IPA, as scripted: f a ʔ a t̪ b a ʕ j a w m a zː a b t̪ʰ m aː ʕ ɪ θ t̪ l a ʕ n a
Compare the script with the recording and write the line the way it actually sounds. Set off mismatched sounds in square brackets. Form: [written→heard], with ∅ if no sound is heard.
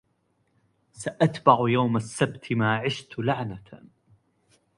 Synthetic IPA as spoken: [f→s] a ʔ a t̪ b a ʕ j a w m a [zː→sː] a b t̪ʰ m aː ʕ ɪ [θ→ʃ] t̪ l a ʕ n a